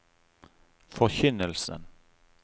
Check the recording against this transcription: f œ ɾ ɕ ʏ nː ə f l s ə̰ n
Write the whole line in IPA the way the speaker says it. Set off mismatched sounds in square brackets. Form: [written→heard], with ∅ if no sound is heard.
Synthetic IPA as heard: f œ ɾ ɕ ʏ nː ə [f→∅] l s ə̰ n

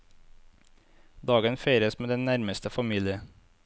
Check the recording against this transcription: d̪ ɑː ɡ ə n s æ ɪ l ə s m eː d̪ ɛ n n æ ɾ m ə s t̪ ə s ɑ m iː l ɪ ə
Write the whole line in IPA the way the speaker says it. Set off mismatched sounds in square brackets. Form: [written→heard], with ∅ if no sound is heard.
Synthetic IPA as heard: d̪ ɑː ɡ ə n [s→f] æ ɪ [l→ɾ] ə s m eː d̪ ɛ n n æ ɾ m ə s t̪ ə [s→f] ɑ m iː l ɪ ə

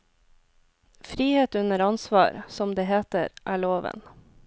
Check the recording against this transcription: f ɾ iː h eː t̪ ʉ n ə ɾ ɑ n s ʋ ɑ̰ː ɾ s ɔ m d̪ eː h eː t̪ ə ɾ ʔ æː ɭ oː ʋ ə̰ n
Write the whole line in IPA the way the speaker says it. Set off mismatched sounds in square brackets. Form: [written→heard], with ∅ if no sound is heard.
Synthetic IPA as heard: f ɾ iː h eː t̪ ʉ n ə ɾ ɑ n s ʋ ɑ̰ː ɾ s ɔ m d̪ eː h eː t̪ ə ɾ ʔ æː ɭ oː ʋ ə̰ n

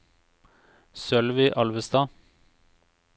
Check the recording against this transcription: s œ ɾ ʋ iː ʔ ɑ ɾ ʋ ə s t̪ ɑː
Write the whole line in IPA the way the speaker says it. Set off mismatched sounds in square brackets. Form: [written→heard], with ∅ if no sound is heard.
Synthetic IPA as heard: s œ [ɾ→l] ʋ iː ʔ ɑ [ɾ→l] ʋ ə s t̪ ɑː

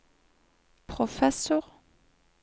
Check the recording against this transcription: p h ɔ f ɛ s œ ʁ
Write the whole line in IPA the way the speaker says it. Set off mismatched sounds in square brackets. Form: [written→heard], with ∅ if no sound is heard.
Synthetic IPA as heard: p [h→χ] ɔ f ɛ s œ ʁ

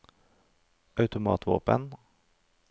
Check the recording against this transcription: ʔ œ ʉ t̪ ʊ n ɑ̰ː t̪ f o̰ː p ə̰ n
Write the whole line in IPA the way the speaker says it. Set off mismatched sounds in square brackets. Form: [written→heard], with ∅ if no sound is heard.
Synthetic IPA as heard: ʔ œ ʉ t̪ ʊ [n→m] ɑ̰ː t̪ [f→v] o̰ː p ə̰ n

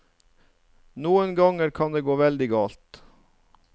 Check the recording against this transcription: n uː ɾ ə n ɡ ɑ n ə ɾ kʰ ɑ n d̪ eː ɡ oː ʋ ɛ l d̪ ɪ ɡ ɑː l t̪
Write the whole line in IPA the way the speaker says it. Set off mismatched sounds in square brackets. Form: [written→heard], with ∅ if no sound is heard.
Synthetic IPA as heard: n uː [ɾ→∅] ə n ɡ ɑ [n→ŋ] ə ɾ kʰ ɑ n d̪ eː ɡ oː ʋ ɛ l d̪ ɪ ɡ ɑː l t̪

